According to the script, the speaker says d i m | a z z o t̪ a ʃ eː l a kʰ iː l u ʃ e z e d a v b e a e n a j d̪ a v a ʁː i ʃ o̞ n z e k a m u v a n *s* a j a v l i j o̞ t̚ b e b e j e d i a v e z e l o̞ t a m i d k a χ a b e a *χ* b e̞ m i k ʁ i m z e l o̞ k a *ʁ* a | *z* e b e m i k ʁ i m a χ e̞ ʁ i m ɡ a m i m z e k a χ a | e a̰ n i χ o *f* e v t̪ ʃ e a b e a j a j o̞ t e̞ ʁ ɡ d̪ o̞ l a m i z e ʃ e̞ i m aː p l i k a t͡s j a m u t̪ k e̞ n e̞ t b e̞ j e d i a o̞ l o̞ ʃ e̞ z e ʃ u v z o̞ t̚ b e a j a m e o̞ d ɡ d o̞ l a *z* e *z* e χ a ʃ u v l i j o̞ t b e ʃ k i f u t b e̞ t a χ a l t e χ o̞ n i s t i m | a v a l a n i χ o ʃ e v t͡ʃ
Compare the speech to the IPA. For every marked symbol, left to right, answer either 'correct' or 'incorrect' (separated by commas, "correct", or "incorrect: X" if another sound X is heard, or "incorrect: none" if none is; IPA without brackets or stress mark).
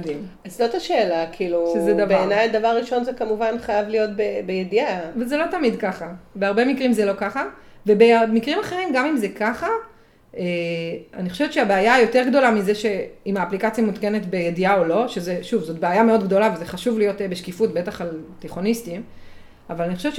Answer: incorrect: χ, incorrect: ʁ, incorrect: χ, incorrect: v, incorrect: ʃ, incorrect: v, correct